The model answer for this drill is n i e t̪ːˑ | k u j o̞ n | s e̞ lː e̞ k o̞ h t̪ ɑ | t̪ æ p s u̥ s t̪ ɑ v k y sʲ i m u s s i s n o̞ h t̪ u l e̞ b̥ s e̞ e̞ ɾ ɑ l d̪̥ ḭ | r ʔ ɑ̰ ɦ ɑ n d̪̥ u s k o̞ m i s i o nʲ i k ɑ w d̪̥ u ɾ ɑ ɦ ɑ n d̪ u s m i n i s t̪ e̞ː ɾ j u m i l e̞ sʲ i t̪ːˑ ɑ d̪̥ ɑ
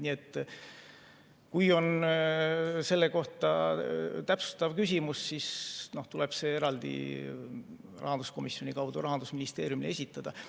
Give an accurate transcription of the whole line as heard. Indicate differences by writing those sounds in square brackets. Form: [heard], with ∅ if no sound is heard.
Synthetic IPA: n i e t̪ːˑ | k u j o̞ n | s e̞ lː e̞ k o̞ h t̪ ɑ | t̪ æ p s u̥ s t̪ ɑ v k y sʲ i m u s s i s n o̞ h t̪ u l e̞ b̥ s e̞ e̞ ɾ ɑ l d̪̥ ḭ | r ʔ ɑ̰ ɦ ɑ n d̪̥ u s k o̞ m i s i o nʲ i k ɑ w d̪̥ u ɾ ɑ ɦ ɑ n d̪ u s m i n i s t̪ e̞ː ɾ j u m i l e̞ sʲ i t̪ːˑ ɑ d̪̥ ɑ